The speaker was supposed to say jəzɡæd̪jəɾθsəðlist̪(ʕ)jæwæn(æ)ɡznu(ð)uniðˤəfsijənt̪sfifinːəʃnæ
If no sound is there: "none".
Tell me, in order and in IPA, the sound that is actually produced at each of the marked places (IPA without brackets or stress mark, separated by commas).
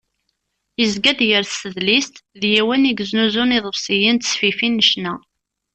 ð, i, z